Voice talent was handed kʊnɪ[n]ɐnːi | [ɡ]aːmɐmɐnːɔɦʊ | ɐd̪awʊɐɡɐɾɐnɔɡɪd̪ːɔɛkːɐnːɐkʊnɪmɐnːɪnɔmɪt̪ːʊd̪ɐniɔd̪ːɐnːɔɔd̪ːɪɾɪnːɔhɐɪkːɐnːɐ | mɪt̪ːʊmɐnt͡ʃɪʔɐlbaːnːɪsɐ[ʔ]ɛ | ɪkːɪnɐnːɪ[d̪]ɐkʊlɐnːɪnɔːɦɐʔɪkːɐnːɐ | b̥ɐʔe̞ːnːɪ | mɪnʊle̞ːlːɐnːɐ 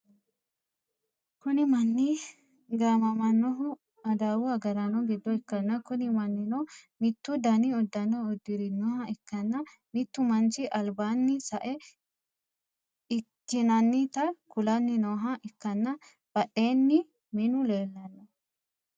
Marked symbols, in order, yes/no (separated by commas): no, yes, yes, no